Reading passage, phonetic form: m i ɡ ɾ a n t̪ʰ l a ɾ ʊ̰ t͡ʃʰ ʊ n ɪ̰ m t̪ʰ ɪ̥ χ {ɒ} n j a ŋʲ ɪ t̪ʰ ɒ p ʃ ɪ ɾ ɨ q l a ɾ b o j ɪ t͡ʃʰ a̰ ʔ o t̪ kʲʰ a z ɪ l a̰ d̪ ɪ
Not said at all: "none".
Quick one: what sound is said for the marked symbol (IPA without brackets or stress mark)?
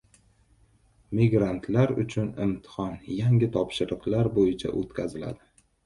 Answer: ɒ